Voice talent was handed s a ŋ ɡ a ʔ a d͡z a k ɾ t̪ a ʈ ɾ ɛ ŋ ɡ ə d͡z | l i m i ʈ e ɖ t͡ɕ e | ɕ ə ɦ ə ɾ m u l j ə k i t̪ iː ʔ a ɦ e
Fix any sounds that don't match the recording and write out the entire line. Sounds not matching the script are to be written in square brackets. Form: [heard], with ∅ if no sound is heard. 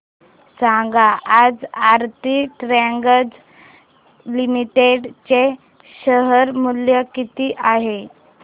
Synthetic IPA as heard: s a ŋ ɡ a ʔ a d͡z a [∅] ɾ t̪ [i] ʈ ɾ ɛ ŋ ɡ ə d͡z | l i m i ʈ e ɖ t͡ɕ e | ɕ ə ɦ ə ɾ m u l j ə k i t̪ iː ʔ a ɦ e

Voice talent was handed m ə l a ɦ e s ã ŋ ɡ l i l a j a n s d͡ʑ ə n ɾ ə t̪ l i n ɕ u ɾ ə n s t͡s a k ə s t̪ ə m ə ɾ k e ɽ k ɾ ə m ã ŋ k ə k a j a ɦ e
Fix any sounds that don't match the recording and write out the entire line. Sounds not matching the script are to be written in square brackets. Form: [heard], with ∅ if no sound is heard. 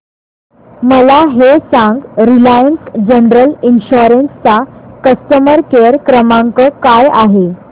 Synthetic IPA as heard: m ə l a ɦ e s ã ŋ ɡ [ɾ] i l a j [ə] n s d͡ʑ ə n ɾ ə [∅] l i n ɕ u ɾ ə n s t͡s a k ə s t̪ ə m ə ɾ k e [ɾ] k ɾ ə m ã ŋ k ə k a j a ɦ e

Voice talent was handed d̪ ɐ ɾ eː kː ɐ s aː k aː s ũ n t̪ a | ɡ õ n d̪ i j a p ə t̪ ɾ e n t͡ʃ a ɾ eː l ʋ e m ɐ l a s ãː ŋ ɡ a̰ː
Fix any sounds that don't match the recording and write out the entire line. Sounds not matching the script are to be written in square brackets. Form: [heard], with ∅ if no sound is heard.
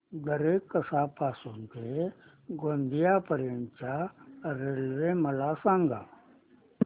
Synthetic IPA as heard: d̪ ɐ ɾ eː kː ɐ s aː [p] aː s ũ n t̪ [e] | ɡ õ n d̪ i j a p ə [∅] ɾ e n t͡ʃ a ɾ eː l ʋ e m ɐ l a s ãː ŋ ɡ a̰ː

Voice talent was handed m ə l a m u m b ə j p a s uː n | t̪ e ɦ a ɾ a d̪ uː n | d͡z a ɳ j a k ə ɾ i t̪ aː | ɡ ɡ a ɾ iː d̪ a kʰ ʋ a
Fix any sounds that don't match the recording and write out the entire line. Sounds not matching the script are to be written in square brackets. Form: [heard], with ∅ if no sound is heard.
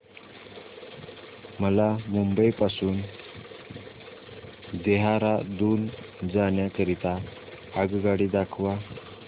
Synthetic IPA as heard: m ə l a m u m b ə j p a s uː n | [d̪] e ɦ a ɾ a d̪ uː n | d͡z a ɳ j a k ə ɾ i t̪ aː | ɡ ɡ a [ɽ] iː d̪ a kʰ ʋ a

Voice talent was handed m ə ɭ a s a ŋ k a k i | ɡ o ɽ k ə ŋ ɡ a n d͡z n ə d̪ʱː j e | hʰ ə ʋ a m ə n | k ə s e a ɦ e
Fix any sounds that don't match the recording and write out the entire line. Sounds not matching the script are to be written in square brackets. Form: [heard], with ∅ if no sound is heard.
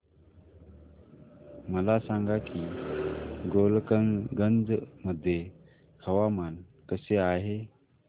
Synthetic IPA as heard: m ə [l] a s a ŋ [ɡ] a k i | ɡ o [l] k ə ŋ ɡ [ə] n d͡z [m] ə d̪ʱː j e | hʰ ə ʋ a m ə n | k ə s e a ɦ e

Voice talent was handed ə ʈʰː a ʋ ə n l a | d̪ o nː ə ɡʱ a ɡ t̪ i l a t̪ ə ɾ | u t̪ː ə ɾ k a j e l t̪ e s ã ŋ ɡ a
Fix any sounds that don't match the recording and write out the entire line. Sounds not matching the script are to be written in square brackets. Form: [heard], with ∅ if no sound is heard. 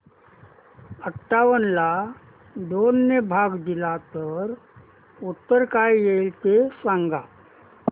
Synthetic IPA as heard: ə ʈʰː a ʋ ə n l a | d̪ o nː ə [bʱ] a ɡ [d̪] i l a t̪ ə ɾ | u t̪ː ə ɾ k a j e l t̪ e s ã ŋ ɡ a

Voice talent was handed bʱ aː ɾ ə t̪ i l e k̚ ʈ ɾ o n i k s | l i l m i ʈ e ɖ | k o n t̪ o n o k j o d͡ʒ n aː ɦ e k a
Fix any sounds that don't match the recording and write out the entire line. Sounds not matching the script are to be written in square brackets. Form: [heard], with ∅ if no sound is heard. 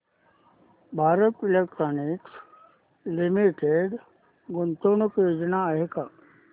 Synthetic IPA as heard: bʱ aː ɾ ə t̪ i l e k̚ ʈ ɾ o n i k s | l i [∅] m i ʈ e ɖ | [ɡ] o n t̪ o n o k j o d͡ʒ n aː ɦ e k a

